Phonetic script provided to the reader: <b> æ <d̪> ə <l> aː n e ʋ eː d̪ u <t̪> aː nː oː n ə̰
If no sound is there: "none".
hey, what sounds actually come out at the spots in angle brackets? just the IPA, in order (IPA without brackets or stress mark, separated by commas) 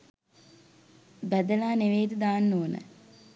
b, d̪, l, d̪